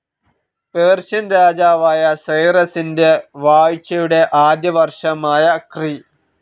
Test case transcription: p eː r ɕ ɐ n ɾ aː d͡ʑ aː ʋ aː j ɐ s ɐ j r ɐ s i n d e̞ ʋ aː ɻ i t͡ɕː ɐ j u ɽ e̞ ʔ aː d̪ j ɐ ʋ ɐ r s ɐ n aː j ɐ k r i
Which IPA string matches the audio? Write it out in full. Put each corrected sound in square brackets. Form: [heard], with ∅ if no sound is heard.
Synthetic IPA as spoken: p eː r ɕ ɐ n ɾ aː d͡ʑ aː ʋ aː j ɐ s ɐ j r ɐ s i n d e̞ ʋ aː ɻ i t͡ɕː ɐ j u ɽ e̞ ʔ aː d̪ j ɐ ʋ ɐ r [ʂ] ɐ [m] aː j ɐ k r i